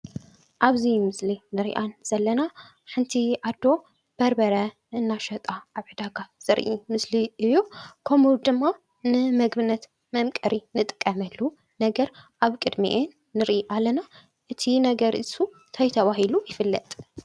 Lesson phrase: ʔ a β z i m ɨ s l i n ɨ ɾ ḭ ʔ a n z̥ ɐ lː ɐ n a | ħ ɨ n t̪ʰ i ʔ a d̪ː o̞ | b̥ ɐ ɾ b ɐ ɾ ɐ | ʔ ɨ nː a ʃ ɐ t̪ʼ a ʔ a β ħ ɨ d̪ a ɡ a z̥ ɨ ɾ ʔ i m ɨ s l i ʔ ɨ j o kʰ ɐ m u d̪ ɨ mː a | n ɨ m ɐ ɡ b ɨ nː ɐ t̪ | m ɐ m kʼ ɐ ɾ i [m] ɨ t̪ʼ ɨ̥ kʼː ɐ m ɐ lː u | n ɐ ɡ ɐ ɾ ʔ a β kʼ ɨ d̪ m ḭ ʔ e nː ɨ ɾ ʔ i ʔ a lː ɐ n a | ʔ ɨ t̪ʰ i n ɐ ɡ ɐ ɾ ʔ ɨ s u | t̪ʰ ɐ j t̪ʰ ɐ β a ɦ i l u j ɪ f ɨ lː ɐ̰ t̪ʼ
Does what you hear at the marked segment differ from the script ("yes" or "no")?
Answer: yes